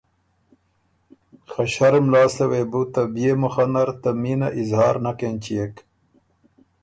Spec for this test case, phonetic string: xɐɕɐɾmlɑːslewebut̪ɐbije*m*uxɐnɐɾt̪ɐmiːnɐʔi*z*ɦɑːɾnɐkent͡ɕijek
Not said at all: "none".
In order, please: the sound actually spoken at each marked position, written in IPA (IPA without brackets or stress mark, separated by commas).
m, z